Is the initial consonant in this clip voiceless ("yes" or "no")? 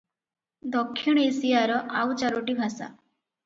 no